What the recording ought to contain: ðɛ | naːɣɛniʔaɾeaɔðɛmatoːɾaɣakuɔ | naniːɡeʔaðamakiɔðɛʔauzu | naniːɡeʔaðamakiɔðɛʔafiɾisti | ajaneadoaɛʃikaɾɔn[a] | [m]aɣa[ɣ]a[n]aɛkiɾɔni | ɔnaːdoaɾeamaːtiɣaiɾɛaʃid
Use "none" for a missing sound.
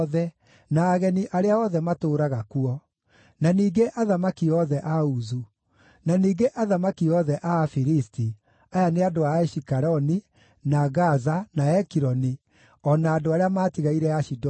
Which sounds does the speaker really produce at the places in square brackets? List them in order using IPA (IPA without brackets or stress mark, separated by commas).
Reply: i, n, z, n